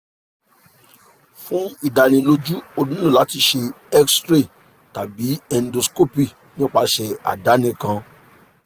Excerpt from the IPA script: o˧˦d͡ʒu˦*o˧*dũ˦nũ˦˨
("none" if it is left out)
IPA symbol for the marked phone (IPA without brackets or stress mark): o˧